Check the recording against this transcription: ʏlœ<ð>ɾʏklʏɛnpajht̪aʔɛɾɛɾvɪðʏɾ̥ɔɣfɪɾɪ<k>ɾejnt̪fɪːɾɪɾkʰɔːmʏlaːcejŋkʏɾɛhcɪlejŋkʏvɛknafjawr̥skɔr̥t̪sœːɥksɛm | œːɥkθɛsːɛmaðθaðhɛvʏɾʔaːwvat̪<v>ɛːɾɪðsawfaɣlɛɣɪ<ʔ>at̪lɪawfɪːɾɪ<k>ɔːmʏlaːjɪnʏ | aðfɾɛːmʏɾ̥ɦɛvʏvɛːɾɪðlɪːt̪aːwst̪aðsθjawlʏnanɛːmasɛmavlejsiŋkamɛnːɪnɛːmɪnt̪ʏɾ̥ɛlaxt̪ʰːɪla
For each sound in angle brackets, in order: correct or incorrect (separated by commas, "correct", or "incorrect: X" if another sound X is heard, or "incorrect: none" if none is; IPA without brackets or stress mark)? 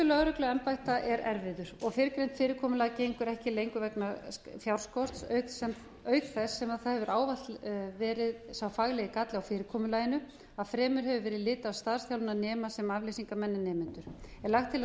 incorrect: ɣ, correct, correct, incorrect: k, incorrect: kʰ